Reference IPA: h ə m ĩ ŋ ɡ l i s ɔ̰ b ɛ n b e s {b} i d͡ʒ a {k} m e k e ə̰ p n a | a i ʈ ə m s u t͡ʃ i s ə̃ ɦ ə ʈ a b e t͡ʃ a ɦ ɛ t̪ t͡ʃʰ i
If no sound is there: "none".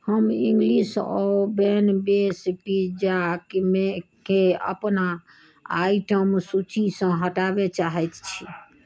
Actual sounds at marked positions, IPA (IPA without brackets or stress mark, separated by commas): p, k